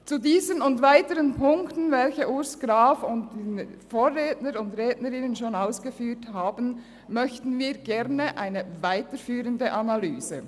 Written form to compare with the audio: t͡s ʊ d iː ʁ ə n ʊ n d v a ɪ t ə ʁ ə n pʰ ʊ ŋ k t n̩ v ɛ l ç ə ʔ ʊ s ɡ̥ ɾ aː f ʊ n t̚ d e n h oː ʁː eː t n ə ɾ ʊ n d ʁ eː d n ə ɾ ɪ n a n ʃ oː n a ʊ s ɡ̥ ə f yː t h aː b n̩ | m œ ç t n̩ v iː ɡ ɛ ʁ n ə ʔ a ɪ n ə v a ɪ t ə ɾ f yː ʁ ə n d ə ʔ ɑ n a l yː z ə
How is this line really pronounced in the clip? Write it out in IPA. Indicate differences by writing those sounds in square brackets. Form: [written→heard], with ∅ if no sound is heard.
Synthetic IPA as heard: t͡s [ʊ→u] d iː [ʁ→z] ə n ʊ n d v a ɪ t ə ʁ ə n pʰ ʊ ŋ k t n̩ v ɛ l ç ə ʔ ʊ s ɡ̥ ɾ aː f ʊ n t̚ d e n [h→f] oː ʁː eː t n ə ɾ ʊ n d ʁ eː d n ə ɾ ɪ n [a→ə] n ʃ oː n a ʊ s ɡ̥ ə f yː t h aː b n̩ | m œ ç t n̩ v iː ɡ ɛ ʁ n ə ʔ a ɪ n ə v a ɪ t ə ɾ f yː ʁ ə n d ə ʔ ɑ n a l yː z ə